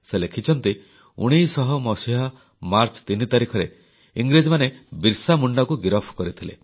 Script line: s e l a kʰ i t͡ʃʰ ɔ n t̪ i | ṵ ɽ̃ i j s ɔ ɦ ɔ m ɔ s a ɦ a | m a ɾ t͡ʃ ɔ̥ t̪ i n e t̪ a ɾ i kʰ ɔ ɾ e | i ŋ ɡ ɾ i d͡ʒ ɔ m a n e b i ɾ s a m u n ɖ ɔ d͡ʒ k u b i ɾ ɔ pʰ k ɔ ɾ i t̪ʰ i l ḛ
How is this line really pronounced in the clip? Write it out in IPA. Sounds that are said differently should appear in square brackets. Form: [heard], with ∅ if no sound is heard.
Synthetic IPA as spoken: s e l [e] kʰ i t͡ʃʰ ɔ n t̪ i | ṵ ɽ̃ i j s ɔ ɦ ɔ m ɔ s [i] ɦ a | m a ɾ t͡ʃ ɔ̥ t̪ i n [i] t̪ a ɾ i kʰ ɔ ɾ e | i ŋ ɡ ɾ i d͡ʒ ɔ m a n e b i ɾ s a m u [ɳ] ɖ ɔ [∅] k u [ɡ] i ɾ ɔ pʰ k ɔ ɾ i t̪ʰ i l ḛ